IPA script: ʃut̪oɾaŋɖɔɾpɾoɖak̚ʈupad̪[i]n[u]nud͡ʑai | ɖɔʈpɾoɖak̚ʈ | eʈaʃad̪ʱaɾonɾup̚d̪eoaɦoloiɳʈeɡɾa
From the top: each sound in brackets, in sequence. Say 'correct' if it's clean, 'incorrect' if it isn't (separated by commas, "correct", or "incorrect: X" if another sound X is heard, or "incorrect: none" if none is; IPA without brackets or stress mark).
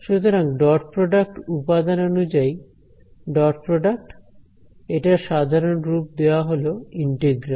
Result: incorrect: a, incorrect: o